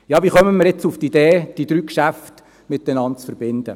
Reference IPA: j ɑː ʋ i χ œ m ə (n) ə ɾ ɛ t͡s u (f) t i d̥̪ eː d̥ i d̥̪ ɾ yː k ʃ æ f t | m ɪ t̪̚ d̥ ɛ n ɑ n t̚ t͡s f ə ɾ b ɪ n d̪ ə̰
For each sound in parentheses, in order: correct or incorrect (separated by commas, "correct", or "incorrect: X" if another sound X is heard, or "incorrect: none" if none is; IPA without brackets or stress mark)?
incorrect: m, correct